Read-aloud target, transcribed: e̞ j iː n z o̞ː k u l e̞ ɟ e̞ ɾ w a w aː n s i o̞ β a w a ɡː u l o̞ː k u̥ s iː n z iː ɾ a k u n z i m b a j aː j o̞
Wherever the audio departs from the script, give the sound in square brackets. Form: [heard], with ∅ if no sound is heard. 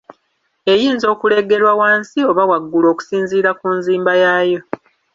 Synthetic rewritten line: e̞ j iː n z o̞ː k u l e̞ [ɡ] e̞ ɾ w a w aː n s i o̞ β a w a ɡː u l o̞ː k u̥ s iː n z iː ɾ a k u n z [iː] m b a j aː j o̞